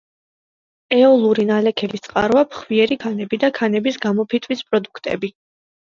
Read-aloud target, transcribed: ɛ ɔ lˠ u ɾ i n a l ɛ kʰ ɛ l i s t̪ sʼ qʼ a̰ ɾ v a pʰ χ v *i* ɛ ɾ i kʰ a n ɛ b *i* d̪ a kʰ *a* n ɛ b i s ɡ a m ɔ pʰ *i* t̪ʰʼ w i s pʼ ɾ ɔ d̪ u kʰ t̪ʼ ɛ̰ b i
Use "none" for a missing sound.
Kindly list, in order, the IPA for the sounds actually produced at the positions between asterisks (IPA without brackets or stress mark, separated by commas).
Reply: i, i, a, i